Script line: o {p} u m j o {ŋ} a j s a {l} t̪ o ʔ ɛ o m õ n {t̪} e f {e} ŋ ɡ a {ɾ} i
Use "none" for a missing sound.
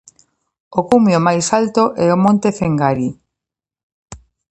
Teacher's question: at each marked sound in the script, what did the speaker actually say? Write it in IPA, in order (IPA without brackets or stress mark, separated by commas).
k, m, l, t̪, e, ɾ